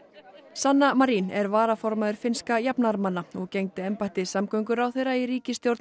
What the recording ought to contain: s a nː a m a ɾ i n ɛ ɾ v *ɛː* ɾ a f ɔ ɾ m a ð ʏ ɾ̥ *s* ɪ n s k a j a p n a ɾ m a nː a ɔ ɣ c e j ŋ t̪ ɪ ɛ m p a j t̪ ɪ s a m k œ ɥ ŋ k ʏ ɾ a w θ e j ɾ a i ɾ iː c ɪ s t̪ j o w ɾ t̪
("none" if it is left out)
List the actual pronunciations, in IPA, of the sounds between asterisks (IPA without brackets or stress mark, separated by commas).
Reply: aː, f